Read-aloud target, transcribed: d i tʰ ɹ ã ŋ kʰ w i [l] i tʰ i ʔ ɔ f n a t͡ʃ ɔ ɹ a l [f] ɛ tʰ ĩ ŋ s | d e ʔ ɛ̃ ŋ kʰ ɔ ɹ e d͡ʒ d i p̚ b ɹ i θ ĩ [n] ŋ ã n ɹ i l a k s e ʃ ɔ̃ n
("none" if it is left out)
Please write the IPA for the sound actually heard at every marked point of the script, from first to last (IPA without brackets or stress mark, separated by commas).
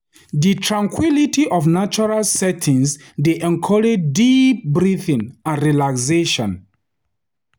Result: l, s, none